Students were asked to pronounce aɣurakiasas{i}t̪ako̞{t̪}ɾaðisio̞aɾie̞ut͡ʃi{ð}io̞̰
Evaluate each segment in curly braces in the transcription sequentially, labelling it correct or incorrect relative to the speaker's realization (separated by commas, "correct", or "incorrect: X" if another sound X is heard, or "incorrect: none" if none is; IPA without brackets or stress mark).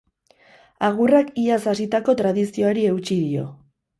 correct, correct, correct